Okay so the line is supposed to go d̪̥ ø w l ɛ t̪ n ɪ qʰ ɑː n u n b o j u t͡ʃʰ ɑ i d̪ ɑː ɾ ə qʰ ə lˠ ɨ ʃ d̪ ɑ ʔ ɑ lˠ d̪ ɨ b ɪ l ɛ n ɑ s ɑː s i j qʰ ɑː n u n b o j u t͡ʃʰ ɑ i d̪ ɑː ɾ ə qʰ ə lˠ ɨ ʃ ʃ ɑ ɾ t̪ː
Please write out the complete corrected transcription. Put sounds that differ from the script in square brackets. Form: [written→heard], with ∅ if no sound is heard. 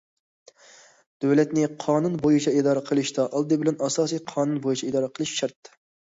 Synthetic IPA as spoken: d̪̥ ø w l ɛ t̪ n ɪ qʰ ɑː n u n b o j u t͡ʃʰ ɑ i d̪ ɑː ɾ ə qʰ ə lˠ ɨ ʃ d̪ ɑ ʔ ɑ lˠ d̪ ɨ b ɪ l ɛ n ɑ s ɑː s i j qʰ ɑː n u n b o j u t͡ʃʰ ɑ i d̪ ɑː ɾ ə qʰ ə lˠ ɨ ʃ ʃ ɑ ɾ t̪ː